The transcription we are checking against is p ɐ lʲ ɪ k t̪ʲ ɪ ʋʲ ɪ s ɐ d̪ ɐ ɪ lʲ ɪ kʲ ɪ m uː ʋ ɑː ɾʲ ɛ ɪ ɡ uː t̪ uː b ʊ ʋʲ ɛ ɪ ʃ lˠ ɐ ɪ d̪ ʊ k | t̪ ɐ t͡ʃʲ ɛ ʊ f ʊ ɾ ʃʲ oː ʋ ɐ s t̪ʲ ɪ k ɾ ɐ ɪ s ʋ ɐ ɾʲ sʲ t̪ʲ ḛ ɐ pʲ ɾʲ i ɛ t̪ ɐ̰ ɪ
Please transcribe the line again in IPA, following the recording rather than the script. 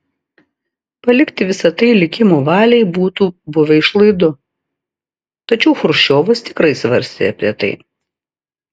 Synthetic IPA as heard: p ɐ lʲ ɪ k t̪ʲ ɪ ʋʲ ɪ s ɐ t̪ ɐ ɪ lʲ ɪ kʲ ɪ m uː ʋ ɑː lʲ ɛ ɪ b uː t̪ uː b ʊ ʋʲ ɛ ɪ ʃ lˠ ɐ ɪ d̪ ʊ | t̪ ɐ t͡ʃʲ ɛ ʊ x ʊ ɾ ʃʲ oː ʋ ɐ s t̪ʲ ɪ k ɾ ɐ ɪ s ʋ ɐ ɾʲ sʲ t̪ʲ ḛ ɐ pʲ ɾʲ i ɛ t̪ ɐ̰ ɪ